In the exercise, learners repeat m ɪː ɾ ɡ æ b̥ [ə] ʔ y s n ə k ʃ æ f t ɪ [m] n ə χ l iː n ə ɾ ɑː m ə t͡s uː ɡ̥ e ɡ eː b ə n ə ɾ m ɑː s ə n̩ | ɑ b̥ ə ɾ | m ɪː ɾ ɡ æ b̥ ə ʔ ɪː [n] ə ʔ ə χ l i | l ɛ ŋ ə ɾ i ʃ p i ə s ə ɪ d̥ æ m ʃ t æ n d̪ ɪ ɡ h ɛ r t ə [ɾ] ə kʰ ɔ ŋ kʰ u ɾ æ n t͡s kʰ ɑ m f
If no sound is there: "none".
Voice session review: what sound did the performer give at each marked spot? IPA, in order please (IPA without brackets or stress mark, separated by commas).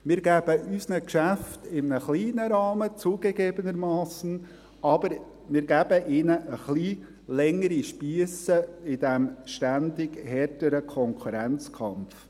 ə, m, n, ɾ